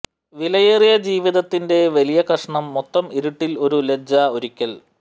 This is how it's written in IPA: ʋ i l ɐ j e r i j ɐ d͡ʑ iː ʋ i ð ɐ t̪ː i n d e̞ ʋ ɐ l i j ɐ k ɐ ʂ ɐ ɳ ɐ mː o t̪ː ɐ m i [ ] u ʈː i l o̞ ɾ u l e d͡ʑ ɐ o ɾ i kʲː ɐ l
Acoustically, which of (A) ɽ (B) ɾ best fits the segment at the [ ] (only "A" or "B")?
B